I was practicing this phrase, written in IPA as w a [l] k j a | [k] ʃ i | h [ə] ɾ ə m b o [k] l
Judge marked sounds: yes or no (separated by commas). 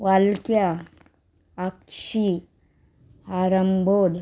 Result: yes, yes, no, no